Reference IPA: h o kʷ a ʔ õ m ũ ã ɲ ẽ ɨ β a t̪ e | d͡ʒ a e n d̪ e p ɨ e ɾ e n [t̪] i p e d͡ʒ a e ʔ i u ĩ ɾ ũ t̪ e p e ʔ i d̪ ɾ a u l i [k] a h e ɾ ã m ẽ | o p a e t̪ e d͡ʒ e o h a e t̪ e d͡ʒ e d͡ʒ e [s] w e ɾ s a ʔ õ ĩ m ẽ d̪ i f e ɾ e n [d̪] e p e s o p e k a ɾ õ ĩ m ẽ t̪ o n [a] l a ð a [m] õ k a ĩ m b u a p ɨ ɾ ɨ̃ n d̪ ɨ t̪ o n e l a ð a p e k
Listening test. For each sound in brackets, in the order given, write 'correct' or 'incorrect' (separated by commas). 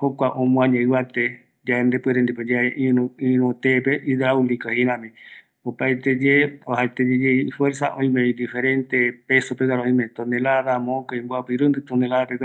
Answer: incorrect, correct, incorrect, incorrect, incorrect, correct